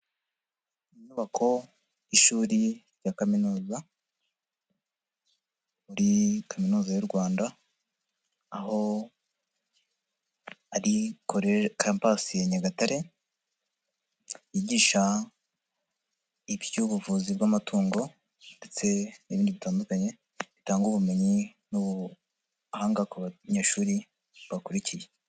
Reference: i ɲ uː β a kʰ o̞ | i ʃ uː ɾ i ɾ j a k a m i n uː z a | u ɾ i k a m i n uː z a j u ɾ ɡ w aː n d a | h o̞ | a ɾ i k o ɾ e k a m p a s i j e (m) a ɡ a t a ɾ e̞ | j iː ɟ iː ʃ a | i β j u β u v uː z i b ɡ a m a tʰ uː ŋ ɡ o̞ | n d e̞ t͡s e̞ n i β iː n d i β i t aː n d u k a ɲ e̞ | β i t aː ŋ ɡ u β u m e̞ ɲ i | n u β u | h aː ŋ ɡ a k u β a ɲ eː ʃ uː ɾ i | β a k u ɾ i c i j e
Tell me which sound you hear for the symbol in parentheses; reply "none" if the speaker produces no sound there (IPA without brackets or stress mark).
ɲ